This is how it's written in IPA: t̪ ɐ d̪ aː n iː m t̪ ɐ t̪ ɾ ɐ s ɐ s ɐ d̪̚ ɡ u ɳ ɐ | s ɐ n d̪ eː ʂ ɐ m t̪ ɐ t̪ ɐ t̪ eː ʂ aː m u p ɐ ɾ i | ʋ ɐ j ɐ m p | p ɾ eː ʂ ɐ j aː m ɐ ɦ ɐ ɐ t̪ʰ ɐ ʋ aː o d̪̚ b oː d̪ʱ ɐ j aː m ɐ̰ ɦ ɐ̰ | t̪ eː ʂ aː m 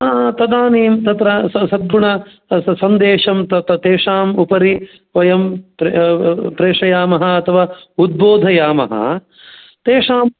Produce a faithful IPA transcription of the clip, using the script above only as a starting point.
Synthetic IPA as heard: t̪ ɐ d̪ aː n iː m t̪ ɐ t̪ ɾ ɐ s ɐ s ɐ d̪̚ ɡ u ɳ ɐ | s ɐ n d̪ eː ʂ ɐ m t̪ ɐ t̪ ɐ t̪ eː ʂ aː m u p ɐ ɾ i | ʋ ɐ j ɐ m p | p ɾ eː ʂ ɐ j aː m ɐ ɦ ɐ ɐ t̪ʰ ɐ ʋ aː u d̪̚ b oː d̪ʱ ɐ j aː m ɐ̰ ɦ ɐ̰ | t̪ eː ʂ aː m